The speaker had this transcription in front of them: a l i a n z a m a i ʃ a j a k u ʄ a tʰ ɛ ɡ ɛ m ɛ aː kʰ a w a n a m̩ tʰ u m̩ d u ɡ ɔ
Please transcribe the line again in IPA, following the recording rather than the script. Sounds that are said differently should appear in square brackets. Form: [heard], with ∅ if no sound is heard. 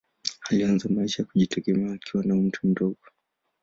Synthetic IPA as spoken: a l i a n z a m a i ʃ a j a k u ʄ [i] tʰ ɛ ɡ ɛ m ɛ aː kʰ [i] w a n a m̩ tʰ u m̩ d [ɔ] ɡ ɔ